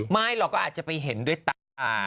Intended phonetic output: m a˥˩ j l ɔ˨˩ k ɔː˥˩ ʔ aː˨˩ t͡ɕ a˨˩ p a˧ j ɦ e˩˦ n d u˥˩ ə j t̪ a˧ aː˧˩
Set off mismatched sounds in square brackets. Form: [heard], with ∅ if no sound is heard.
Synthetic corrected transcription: m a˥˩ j l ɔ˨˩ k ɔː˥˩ ʔ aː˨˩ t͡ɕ a˨˩ p a˧ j ɦ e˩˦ n d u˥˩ ə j t̪ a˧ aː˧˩